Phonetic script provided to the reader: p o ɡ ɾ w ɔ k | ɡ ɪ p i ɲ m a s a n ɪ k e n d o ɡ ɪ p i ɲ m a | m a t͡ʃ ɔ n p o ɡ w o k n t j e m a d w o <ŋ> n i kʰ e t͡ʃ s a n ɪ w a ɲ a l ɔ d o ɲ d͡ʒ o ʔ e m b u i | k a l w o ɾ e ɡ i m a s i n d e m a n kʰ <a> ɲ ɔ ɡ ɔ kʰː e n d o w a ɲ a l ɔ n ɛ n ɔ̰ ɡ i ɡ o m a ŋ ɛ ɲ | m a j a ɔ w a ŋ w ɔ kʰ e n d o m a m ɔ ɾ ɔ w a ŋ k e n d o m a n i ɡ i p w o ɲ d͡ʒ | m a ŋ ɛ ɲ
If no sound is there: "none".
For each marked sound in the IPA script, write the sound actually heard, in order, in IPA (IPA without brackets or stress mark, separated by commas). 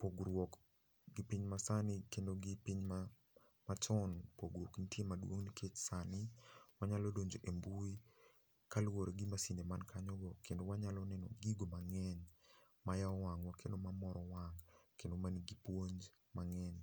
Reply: ŋ, a